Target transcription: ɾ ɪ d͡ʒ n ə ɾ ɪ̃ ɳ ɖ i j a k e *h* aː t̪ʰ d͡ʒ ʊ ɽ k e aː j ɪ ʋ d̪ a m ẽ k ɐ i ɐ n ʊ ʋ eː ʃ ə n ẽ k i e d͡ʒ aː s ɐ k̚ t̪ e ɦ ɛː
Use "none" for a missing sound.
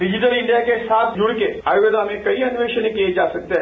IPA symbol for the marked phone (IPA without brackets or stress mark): s